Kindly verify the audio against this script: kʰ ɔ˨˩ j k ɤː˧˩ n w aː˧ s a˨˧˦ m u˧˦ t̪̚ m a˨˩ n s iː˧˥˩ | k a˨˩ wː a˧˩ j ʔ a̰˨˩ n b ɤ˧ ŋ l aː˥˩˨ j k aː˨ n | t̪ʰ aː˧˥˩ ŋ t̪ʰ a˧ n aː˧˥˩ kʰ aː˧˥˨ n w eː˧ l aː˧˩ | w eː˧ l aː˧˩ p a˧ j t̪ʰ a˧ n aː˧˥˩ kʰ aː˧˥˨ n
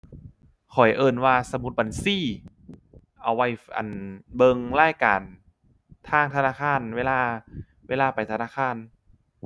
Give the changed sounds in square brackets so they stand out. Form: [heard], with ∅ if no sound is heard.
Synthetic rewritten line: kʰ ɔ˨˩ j [ʔ] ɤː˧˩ n w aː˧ s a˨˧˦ m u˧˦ t̪̚ [b] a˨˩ n s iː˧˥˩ | [ʔ] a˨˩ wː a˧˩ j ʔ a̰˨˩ n b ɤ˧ ŋ l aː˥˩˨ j k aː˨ n | t̪ʰ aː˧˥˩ ŋ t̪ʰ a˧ n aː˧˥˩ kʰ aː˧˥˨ n w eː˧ l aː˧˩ | w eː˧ l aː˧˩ p [a˨˩] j t̪ʰ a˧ n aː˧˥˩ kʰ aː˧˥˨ n